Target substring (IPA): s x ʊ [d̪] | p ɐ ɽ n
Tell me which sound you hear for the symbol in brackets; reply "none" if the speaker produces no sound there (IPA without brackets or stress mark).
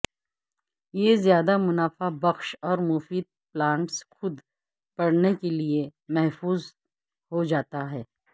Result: d̪